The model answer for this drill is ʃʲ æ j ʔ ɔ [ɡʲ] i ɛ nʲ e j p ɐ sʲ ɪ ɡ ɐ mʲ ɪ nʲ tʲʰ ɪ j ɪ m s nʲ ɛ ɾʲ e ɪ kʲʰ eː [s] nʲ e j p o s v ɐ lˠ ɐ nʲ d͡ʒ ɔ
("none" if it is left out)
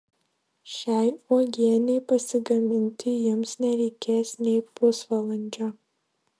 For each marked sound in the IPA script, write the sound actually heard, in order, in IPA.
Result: ɡʲ, s

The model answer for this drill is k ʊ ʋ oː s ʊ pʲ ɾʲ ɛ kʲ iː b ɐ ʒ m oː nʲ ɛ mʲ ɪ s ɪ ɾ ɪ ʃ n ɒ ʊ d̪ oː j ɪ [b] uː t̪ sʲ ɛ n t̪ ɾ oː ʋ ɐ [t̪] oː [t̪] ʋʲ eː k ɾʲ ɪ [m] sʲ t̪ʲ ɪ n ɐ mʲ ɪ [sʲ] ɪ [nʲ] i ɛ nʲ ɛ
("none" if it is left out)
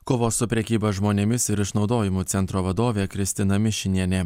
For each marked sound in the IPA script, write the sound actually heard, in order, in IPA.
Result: m, d̪, none, none, ʃʲ, nʲ

